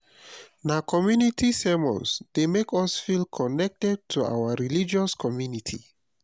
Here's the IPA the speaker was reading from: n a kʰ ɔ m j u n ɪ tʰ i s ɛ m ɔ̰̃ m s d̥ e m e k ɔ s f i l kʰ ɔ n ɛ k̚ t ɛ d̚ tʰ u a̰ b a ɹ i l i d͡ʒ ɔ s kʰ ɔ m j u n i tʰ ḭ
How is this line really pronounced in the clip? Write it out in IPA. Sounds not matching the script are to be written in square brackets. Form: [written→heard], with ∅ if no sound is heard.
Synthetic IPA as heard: n a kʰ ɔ m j u n [ɪ→i] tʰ i s ɛ m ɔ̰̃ [m→n] s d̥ e m e k ɔ s f i l kʰ ɔ n ɛ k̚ t ɛ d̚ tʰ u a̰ [b→w] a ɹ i l i d͡ʒ ɔ s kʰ ɔ m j u n i tʰ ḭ